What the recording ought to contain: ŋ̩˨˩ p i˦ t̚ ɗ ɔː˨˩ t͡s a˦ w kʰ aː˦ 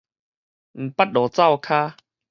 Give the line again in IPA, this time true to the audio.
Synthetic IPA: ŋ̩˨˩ p a˦ t̚ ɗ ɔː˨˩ t͡s a˥˨ w kʰ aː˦